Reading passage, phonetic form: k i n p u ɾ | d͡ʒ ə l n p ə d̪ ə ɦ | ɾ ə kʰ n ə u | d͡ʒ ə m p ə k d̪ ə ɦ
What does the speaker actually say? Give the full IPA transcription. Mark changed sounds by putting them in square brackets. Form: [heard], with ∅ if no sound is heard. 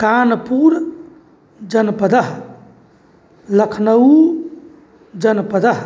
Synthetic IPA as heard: k [a] n p u ɾ | d͡ʒ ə [∅] n p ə d̪ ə ɦ | [l] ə kʰ n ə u | d͡ʒ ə [n] p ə [∅] d̪ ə ɦ